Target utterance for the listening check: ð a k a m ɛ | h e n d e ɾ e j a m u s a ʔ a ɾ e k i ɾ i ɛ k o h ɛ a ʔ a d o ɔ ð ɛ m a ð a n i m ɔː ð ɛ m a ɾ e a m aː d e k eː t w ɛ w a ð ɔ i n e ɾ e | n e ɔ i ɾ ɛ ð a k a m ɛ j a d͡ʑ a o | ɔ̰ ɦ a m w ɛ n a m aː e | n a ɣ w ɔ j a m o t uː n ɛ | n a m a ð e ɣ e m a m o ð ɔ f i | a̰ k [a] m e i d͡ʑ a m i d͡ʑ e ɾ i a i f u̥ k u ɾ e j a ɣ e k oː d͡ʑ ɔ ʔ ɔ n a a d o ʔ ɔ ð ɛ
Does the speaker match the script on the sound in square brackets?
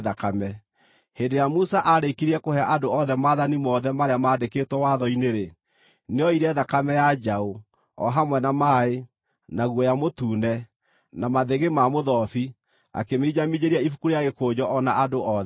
no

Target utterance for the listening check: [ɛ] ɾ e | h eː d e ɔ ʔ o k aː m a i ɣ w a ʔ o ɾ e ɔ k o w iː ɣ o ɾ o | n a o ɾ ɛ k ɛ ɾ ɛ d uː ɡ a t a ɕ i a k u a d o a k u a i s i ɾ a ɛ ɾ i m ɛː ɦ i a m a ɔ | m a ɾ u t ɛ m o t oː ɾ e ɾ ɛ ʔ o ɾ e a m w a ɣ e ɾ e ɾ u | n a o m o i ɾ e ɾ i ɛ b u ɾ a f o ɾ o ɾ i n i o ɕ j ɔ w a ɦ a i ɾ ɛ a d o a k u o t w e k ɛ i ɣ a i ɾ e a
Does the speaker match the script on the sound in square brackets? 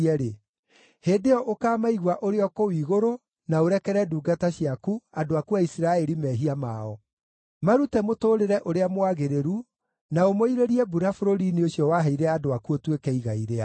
yes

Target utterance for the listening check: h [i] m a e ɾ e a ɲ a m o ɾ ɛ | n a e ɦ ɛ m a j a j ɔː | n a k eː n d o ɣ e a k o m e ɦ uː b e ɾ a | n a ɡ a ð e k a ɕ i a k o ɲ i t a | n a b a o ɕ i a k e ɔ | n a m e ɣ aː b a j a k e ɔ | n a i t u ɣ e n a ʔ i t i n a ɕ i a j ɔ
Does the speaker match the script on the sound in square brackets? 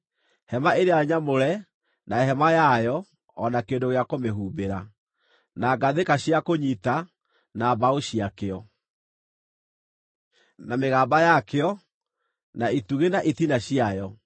no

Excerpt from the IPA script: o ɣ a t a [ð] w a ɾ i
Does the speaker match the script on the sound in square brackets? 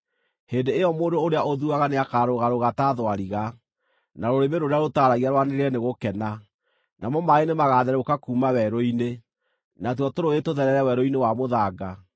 yes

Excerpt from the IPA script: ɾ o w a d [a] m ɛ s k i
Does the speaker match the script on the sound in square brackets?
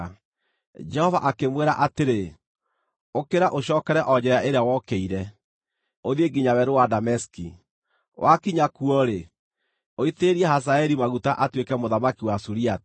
yes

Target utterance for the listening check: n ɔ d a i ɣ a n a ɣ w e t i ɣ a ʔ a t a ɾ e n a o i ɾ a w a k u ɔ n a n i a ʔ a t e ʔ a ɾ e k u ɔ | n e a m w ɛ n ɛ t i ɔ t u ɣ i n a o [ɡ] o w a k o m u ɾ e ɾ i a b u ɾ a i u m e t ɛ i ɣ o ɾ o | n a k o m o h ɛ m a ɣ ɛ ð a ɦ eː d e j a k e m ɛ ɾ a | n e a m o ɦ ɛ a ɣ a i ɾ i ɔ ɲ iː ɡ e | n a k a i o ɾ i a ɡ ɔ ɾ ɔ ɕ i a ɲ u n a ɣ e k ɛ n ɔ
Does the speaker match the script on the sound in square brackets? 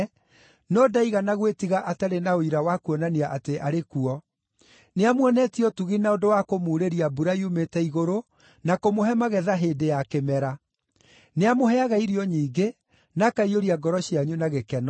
no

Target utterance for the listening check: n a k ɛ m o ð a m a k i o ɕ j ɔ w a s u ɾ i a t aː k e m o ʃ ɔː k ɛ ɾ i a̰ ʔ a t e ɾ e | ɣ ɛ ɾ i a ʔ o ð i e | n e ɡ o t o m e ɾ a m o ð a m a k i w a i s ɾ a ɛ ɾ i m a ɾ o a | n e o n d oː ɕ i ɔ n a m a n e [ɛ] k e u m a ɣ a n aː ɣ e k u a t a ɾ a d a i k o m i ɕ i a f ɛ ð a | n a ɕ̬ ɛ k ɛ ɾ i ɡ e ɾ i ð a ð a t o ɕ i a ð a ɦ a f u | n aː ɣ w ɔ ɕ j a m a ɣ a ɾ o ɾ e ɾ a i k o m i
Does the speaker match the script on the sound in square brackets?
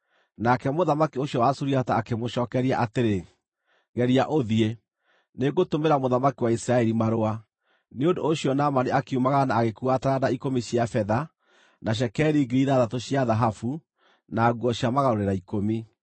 no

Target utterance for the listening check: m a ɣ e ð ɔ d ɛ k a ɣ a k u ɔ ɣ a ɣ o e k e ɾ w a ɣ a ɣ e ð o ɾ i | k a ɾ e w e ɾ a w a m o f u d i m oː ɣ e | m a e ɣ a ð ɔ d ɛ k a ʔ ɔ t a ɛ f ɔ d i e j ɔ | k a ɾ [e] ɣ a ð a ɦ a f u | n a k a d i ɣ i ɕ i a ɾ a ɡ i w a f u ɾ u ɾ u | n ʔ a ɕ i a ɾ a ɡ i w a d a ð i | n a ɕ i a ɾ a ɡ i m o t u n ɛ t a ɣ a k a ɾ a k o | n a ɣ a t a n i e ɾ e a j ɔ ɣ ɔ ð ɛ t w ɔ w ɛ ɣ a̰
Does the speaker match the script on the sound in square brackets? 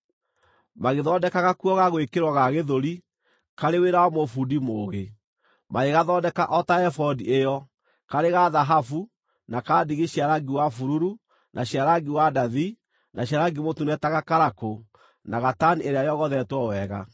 yes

